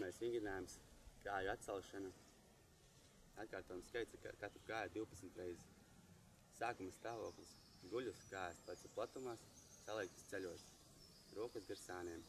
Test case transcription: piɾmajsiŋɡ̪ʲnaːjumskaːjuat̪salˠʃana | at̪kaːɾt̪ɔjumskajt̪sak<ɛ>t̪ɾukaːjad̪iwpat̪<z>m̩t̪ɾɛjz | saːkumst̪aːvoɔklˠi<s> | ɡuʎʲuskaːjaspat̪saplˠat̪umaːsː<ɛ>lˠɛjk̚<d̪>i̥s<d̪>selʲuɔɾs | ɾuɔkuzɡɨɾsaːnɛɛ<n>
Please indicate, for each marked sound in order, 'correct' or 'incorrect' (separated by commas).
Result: incorrect, incorrect, correct, incorrect, incorrect, incorrect, incorrect